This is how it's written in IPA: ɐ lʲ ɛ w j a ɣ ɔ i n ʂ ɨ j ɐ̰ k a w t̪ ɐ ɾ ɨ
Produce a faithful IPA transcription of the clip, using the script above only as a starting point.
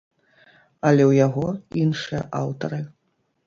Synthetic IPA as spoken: ɐ lʲ ɛ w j a ɣ ɔ i n ʂ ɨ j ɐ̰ ʔ a w t̪ ɐ ɾ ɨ